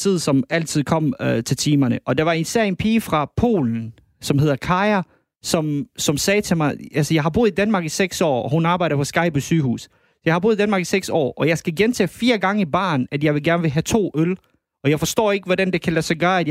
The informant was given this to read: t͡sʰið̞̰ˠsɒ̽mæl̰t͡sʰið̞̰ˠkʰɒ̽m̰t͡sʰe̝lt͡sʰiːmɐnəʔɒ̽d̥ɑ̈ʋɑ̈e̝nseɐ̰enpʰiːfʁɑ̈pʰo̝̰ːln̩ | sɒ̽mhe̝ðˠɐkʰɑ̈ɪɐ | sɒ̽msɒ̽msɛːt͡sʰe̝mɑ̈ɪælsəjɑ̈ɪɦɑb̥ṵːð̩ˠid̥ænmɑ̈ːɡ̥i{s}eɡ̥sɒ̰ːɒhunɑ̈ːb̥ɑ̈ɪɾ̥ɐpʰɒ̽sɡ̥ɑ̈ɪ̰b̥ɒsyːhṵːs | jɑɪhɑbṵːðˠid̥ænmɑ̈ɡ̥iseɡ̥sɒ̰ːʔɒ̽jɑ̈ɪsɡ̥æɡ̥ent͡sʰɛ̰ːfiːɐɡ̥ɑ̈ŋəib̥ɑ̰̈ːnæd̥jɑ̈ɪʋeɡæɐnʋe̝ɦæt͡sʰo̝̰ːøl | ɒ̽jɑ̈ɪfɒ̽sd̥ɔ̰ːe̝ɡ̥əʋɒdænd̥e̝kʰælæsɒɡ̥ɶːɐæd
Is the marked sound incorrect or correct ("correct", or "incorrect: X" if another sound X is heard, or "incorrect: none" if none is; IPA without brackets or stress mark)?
correct